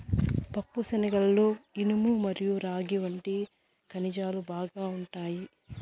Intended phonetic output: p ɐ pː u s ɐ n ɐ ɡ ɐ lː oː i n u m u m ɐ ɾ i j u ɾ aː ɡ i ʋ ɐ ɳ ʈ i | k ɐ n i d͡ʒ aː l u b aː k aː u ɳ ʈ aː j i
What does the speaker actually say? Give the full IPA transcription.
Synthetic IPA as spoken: p ɐ pː u s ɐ n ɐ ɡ ɐ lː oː i n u m u m ɐ ɾ i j u ɾ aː ɡ i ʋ ɐ ɳ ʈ i | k ɐ n i d͡ʒ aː l u b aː ɡ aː u ɳ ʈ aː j i